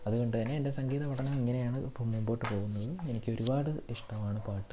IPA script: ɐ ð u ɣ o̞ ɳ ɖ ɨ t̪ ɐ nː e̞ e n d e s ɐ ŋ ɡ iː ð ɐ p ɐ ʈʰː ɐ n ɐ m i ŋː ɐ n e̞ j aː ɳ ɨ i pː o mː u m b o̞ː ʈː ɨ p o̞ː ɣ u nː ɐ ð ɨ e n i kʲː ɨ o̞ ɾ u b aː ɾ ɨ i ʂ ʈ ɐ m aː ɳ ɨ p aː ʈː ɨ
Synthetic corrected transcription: ɐ ð u ɣ o̞ ɳ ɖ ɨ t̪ ɐ nː e̞ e n d e s ɐ ŋ ɡ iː ð ɐ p ɐ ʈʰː ɐ n ɐ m i ŋː ɐ n e̞ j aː ɳ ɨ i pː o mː u m b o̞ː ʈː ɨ p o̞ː ɣ u nː ɐ ð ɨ e n i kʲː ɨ o̞ ɾ u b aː ɽ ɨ i ʂ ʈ ɐ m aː ɳ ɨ p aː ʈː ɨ

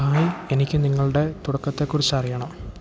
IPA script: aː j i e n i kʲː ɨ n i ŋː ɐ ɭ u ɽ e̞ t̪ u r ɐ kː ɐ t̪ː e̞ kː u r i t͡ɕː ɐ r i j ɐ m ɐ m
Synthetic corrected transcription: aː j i e n i kʲː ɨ n i ŋː ɐ ɭ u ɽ e̞ t̪ u ɽ ɐ kː ɐ t̪ː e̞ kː u r i t͡ɕː ɐ r i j ɐ ɳ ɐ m

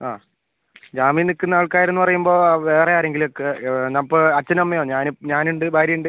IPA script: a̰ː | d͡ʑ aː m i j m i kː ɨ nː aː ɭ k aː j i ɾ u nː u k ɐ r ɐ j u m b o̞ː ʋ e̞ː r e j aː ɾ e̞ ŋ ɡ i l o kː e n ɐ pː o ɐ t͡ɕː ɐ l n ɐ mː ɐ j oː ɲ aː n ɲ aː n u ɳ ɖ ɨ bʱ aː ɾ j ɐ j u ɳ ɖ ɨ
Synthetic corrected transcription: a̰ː | d͡ʑ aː m i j n i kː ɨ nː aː ɭ k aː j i ɾ u nː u p ɐ r ɐ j u m b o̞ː ʋ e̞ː r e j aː ɾ e̞ ŋ ɡ i l o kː e n ɐ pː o ɐ t͡ɕː ɐ n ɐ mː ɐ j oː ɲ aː n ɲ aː n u ɳ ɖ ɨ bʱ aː ɾ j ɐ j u ɳ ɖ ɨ

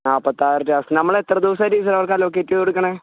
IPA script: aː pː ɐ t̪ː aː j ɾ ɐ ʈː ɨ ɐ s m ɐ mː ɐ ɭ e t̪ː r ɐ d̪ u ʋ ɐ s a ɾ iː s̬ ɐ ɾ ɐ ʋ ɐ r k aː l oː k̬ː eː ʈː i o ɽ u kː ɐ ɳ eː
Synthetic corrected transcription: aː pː ɐ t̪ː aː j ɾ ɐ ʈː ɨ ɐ s n ɐ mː ɐ ɭ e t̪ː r ɐ d̪ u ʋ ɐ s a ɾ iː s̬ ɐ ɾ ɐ ʋ ɐ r k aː l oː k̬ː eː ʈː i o ɽ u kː ɐ ɳ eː

